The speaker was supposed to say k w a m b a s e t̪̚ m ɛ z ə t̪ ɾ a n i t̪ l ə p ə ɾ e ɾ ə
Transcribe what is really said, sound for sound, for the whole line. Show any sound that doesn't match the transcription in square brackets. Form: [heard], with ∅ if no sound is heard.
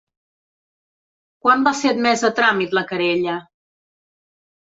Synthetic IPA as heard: k w a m b a [f] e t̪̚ m ɛ z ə t̪ ɾ a [m] i t̪ l ə [k] ə ɾ e [ʎ] ə

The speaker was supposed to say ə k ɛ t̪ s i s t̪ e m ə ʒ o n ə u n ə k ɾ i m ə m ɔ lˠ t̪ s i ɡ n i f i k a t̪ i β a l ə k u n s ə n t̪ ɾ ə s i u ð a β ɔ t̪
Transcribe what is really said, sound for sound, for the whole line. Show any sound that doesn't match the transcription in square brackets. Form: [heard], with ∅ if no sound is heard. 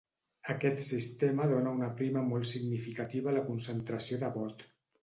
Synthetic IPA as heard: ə k ɛ t̪ s i s t̪ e m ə [ð] o n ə u n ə [p] ɾ i m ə m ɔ lˠ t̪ s i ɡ n i f i k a t̪ i β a l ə k u n s ə n t̪ ɾ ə s i [o] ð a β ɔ t̪

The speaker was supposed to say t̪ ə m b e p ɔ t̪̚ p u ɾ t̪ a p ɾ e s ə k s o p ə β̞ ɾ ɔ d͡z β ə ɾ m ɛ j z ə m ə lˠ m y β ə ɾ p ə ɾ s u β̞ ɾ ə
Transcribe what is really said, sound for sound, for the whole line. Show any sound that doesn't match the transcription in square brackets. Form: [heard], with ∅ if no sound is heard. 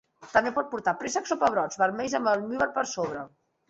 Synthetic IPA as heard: t̪ ə m b e p ɔ t̪̚ p u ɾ t̪ a p ɾ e s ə k s o p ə β̞ ɾ ɔ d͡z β ə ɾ m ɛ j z ə m ə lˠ m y β ə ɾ p ə ɾ s [o] β̞ ɾ ə

